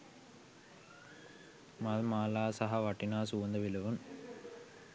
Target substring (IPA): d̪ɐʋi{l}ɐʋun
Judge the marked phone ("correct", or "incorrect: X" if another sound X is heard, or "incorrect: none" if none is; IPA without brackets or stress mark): correct